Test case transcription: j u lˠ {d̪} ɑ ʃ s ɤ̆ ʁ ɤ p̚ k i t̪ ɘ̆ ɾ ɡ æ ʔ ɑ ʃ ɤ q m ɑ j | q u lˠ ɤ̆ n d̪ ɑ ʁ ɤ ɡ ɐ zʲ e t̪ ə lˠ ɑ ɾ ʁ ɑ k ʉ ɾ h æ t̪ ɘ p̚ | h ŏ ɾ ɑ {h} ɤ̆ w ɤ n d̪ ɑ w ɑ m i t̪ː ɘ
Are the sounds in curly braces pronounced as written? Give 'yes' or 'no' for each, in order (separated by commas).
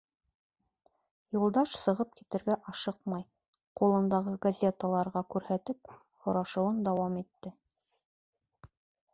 yes, no